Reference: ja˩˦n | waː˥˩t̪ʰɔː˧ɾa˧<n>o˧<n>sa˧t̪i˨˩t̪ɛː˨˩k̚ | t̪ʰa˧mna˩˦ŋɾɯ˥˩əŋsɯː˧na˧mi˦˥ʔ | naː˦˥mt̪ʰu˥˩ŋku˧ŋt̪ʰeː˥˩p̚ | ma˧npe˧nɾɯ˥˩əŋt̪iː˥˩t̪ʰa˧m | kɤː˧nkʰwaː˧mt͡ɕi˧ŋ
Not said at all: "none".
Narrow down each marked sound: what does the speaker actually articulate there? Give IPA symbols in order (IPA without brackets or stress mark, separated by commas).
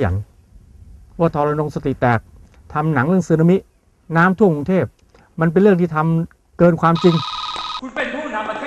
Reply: n, ŋ